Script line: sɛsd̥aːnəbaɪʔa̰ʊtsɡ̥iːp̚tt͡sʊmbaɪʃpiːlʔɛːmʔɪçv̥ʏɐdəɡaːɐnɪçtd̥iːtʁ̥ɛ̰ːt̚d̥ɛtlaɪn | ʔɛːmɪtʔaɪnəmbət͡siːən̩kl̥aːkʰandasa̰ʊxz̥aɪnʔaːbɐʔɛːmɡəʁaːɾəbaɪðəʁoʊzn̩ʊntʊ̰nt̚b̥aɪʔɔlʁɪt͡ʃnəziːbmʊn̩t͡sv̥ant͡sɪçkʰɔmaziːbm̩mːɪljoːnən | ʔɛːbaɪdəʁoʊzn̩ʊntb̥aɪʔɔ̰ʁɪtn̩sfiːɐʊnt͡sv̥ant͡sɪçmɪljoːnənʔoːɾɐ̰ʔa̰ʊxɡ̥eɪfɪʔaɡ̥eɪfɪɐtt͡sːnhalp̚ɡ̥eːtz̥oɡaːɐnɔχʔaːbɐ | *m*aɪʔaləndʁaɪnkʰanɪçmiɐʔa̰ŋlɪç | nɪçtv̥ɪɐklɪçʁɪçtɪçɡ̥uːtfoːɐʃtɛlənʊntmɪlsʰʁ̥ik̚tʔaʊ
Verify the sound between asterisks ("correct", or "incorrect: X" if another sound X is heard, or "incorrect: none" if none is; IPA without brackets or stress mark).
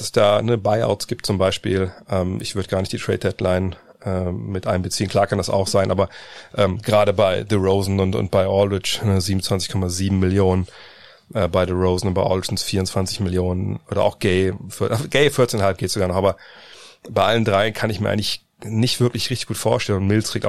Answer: incorrect: b